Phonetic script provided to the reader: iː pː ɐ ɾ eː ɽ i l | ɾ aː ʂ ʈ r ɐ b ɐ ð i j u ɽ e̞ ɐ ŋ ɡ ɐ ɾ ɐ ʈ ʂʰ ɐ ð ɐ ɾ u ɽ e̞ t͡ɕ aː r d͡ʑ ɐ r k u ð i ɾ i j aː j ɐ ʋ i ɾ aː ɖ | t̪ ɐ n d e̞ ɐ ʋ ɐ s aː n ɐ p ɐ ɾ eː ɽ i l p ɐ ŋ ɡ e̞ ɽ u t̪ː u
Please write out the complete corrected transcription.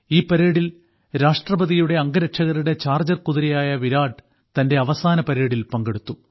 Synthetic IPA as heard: iː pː ɐ ɾ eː ɽ i l | ɾ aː ʂ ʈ r ɐ b ɐ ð i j u ɽ e̞ ɐ ŋ ɡ ɐ ɾ ɐ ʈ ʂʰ ɐ ɣ ɐ ɾ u ɽ e̞ t͡ɕ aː r d͡ʑ ɐ r k u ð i ɾ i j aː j ɐ ʋ i ɾ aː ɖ | t̪ ɐ n d e̞ ɐ ʋ ɐ s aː n ɐ p ɐ ɾ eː ɽ i l p ɐ ŋ ɡ e̞ ɽ u t̪ː u